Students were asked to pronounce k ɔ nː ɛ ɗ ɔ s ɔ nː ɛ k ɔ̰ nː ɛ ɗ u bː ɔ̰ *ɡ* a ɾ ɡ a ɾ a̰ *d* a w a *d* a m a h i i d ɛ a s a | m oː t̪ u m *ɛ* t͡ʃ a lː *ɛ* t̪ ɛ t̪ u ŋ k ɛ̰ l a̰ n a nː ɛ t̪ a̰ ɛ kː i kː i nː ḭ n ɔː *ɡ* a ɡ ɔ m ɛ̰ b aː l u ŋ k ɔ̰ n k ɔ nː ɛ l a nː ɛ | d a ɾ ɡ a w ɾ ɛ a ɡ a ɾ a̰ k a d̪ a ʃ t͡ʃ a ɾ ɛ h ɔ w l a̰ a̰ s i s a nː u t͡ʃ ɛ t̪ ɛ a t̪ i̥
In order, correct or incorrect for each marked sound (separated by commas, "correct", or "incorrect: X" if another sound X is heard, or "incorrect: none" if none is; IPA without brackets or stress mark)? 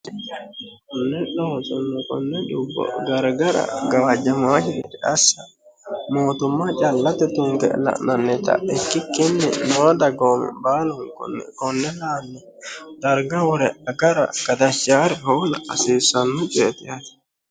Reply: correct, incorrect: ɡ, incorrect: d͡ʒ, incorrect: a, incorrect: a, incorrect: d